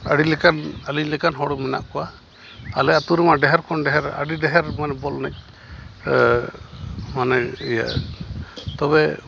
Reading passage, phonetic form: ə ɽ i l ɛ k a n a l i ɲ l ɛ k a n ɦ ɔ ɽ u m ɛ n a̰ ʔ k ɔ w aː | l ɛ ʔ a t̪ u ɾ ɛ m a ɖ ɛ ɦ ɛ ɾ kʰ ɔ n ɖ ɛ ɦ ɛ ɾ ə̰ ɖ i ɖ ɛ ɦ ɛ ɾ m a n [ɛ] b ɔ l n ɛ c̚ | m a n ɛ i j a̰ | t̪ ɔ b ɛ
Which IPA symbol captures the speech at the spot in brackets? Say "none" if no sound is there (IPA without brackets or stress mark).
ɛ